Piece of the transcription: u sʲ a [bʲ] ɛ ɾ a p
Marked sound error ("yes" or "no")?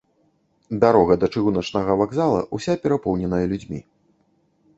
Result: yes